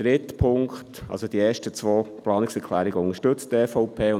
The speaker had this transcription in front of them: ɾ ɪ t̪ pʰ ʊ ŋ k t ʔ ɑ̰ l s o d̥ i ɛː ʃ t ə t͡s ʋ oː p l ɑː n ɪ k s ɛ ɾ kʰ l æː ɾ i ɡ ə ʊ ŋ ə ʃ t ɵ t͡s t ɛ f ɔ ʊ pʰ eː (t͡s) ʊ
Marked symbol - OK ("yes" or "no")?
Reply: no